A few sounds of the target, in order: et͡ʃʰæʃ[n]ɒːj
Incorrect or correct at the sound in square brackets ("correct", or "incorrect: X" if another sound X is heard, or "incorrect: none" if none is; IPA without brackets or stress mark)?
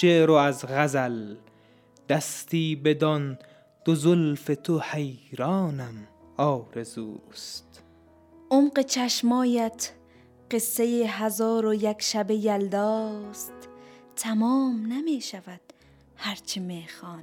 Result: incorrect: m